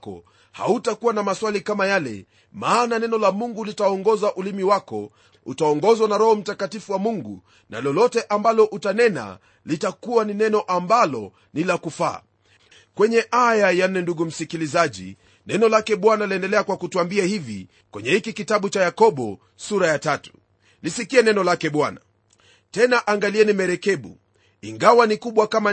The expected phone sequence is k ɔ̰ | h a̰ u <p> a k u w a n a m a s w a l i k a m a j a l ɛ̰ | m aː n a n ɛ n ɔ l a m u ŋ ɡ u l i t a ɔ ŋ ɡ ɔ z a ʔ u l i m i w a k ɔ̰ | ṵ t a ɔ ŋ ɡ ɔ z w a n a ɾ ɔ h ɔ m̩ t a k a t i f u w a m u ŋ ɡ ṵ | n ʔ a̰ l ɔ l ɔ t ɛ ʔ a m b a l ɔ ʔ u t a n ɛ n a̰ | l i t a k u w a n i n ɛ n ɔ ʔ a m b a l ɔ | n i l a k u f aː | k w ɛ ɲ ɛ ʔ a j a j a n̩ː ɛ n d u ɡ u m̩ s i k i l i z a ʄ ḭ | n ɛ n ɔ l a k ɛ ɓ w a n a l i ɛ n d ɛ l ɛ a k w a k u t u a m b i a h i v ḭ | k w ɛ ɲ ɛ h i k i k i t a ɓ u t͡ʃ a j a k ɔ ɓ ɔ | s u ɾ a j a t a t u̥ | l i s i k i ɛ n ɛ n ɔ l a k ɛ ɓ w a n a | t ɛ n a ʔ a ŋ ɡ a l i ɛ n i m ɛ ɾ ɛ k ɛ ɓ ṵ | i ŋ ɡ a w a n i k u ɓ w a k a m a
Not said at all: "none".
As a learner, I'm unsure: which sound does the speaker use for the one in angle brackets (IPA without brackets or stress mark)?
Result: t